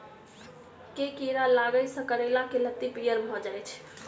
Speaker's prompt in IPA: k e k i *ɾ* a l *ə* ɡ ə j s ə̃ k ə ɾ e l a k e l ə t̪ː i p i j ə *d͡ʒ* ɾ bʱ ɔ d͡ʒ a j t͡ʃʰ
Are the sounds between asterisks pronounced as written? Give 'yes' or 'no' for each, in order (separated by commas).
yes, no, no